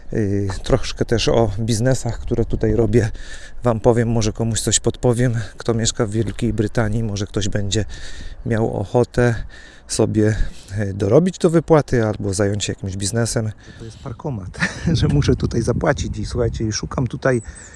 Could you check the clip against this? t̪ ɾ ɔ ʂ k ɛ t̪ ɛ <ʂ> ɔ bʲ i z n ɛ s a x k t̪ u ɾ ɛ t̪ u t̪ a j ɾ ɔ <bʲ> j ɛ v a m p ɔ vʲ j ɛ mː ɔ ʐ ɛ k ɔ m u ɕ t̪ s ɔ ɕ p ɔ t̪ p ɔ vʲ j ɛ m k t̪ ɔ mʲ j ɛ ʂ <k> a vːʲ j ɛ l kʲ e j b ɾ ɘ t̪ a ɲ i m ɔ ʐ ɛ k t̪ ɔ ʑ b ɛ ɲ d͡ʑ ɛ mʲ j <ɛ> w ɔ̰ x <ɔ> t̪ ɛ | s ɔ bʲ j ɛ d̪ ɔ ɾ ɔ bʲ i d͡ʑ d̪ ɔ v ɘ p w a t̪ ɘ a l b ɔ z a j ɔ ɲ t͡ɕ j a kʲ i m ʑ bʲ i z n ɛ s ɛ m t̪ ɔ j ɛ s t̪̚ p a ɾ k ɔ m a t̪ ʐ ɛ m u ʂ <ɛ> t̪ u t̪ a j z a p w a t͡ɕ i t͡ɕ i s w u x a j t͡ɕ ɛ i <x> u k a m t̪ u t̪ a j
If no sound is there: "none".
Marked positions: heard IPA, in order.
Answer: ʂ, bʲ, k, a, ɔ, ɛ, ʂ

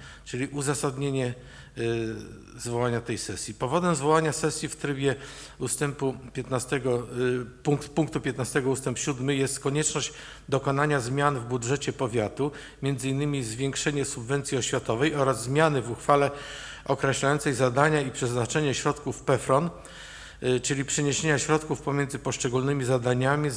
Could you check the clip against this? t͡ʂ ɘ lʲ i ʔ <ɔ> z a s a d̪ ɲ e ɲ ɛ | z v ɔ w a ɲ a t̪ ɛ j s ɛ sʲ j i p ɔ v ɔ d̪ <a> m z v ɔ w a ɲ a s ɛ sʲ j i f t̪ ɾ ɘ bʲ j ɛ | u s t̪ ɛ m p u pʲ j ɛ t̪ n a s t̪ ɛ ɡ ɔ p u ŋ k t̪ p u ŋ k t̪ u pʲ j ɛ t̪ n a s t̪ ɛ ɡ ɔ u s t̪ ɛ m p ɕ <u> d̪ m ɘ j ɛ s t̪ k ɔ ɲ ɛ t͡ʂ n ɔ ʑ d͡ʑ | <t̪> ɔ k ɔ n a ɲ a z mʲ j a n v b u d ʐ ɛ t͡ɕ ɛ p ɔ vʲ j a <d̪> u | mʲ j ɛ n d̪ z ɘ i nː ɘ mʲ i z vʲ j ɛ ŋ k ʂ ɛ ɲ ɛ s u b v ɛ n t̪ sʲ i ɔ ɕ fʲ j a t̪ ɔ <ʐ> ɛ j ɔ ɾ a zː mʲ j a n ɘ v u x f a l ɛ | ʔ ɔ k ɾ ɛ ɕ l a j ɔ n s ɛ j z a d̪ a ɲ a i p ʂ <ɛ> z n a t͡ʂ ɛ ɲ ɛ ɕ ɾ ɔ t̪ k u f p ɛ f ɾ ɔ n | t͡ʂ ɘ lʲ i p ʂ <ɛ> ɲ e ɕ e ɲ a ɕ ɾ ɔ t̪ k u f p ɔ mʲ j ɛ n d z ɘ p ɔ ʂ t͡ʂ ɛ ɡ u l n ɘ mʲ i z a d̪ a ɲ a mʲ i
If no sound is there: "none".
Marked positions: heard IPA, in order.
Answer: u, ɛ, u, d̪, t̪, v, ɛ, ɛ

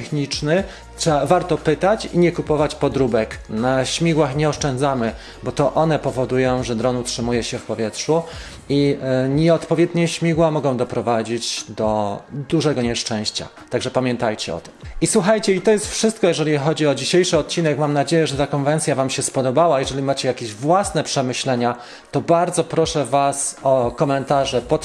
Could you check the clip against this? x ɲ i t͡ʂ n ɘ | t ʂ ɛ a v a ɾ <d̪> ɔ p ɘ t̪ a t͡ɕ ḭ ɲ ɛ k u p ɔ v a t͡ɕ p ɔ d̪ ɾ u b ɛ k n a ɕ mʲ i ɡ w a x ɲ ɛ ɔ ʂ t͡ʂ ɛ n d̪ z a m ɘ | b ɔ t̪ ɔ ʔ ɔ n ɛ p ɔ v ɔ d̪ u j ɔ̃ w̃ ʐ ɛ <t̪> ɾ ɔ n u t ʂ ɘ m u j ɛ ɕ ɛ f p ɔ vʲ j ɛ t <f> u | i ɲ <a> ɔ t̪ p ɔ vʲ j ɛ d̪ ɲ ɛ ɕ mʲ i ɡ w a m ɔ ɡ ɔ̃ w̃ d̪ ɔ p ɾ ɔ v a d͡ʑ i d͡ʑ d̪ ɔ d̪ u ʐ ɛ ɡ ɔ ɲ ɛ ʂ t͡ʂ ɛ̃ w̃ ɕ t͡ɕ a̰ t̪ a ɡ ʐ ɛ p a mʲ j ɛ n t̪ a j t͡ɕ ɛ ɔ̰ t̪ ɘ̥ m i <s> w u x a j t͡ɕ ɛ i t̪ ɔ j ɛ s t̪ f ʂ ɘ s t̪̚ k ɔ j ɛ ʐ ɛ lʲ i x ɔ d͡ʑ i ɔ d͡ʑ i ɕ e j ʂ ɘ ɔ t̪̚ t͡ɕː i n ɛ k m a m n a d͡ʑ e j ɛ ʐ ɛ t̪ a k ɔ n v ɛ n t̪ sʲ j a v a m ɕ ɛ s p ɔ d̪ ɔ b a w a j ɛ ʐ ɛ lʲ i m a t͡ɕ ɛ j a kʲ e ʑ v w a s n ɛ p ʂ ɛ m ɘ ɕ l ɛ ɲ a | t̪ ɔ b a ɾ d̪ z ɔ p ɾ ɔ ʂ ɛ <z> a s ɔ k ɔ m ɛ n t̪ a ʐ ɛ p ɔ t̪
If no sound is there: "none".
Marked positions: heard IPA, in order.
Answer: t̪, d̪, ʂ, ɛ, s, v

